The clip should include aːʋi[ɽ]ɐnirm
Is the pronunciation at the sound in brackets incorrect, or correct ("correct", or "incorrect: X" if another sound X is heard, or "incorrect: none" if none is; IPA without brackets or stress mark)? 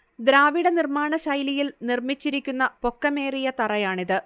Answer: correct